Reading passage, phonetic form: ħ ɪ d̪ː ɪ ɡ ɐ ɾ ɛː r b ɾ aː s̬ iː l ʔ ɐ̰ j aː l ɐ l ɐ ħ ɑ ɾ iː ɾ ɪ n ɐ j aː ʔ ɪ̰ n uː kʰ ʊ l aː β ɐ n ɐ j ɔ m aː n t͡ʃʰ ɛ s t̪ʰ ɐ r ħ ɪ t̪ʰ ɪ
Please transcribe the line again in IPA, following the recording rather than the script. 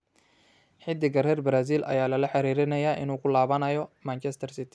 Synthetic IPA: ħ ɪ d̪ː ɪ ɡ ɐ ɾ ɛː r b ɾ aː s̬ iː l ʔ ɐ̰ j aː l ɐ l ɐ ħ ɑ ɾ iː ɾ ɪ n ɐ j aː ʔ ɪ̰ n uː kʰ ʊ l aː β ɐ n ɐ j ɔ m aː n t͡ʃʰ ɛ s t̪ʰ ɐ r s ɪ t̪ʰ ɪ